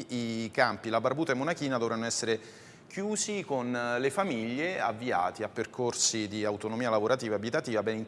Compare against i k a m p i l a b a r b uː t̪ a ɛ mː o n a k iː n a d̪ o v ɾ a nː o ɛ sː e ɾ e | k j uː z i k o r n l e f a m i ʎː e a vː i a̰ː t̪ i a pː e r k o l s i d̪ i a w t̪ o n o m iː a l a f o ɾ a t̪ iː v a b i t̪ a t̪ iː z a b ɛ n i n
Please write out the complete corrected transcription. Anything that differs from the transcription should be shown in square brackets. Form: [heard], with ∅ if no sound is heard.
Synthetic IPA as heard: i k a m p i l a b a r b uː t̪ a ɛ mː o n a k iː n a d̪ o v ɾ a nː o ɛ sː e ɾ e | k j uː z i k o [∅] n l e f a m i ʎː e a vː i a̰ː t̪ i a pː e r k o [r] s i d̪ i a w t̪ o n o m iː a l a [v] o ɾ a t̪ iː v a b i t̪ a t̪ iː [v] a b ɛ n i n